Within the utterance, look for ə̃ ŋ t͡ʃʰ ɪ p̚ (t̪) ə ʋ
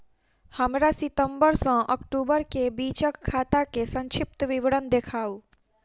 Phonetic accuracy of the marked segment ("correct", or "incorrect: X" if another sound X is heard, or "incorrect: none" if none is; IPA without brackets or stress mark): correct